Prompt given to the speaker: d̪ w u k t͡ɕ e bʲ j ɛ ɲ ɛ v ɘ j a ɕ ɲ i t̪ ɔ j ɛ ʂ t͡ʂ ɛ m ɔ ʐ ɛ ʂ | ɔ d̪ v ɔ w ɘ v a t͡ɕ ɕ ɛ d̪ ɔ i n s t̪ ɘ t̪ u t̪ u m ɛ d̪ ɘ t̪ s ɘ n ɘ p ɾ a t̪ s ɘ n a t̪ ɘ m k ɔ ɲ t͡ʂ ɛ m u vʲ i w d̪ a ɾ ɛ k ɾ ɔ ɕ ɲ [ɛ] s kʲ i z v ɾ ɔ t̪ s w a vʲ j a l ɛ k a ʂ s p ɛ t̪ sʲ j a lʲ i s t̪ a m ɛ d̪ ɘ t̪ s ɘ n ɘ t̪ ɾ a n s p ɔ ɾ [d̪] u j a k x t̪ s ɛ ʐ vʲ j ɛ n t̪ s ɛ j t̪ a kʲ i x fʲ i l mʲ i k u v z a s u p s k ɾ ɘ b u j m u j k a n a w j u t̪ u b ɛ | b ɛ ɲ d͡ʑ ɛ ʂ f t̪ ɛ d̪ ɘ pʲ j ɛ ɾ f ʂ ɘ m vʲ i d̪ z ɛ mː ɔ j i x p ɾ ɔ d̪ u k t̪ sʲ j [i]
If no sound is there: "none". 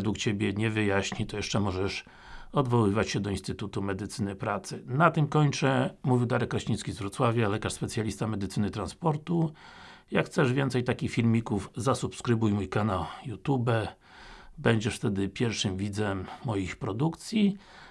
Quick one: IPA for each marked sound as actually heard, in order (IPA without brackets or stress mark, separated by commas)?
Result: i, t̪, i